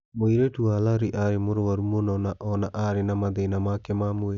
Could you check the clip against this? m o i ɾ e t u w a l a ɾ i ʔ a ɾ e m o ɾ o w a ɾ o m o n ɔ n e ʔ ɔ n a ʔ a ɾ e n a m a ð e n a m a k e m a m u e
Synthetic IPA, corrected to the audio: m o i ɾ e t u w a l a ɾ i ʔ a ɾ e m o ɾ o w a ɾ u m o n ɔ n a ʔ ɔ n a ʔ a ɾ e n a m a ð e n a m a k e m a m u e